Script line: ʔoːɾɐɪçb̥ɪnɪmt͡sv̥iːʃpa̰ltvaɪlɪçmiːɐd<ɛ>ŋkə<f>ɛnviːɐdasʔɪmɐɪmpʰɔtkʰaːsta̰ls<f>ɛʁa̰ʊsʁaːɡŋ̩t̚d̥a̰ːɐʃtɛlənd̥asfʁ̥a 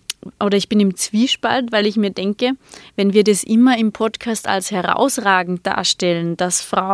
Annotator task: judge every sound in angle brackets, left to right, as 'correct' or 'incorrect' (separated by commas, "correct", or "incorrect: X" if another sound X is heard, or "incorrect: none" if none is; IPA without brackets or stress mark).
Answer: correct, incorrect: v, incorrect: h